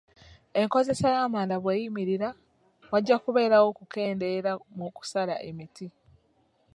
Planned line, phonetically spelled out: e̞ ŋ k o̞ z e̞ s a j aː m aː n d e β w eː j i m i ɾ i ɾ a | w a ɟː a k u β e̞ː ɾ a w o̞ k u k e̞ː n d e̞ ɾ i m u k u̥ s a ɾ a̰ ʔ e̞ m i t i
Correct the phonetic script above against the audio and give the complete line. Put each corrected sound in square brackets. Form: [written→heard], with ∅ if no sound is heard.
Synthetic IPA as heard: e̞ ŋ k o̞ z e̞ s a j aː m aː n d [e→a] β w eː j i m i ɾ i ɾ a | w a ɟː a k u β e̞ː ɾ a w o̞ k u k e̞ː n d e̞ ɾ [i→a] m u k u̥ s a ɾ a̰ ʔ e̞ m i t i